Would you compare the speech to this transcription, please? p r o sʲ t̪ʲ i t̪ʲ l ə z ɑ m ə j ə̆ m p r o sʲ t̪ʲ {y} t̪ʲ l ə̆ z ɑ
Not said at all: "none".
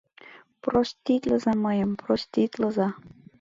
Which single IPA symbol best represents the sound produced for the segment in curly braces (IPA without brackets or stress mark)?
i